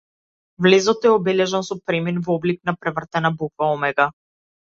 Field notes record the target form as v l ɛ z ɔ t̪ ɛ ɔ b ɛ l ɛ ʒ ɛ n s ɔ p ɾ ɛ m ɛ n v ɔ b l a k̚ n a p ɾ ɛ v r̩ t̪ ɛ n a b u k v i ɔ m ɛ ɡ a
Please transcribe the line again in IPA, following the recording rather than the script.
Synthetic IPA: v l ɛ z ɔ t̪ ɛ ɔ b ɛ l ɛ ʒ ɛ n s ɔ p ɾ ɛ m i n v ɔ b l i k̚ n a p ɾ ɛ v r̩ t̪ ɛ n a b u k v a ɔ m ɛ ɡ a